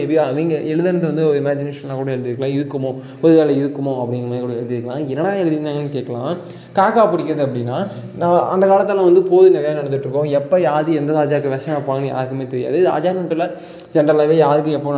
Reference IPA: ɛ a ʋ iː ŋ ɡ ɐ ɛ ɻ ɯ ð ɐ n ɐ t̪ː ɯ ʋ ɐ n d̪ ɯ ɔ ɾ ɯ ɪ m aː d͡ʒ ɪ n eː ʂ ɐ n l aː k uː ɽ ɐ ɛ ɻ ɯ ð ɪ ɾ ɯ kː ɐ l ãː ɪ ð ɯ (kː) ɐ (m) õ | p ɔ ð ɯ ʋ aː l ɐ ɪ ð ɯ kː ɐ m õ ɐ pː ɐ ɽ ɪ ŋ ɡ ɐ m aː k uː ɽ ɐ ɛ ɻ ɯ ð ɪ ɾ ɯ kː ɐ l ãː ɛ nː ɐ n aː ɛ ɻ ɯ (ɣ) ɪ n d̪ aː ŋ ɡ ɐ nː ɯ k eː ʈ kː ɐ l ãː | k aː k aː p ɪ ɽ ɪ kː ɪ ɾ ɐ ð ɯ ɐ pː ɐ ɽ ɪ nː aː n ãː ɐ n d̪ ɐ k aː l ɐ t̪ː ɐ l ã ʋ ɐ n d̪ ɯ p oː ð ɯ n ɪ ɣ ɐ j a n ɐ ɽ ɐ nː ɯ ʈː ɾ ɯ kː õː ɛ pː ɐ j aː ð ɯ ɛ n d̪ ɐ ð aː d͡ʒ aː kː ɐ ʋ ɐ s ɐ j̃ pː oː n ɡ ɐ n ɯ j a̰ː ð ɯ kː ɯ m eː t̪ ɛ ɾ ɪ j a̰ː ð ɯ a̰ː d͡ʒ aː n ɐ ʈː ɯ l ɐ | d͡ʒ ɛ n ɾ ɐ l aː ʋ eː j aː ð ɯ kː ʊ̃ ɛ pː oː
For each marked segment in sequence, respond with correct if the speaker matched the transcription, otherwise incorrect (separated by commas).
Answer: correct, correct, incorrect